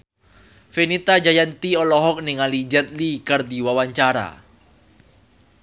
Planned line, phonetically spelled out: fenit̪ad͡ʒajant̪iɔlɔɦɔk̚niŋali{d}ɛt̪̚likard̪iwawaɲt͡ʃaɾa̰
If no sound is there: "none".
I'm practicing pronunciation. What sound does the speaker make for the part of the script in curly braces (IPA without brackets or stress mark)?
d͡ʒ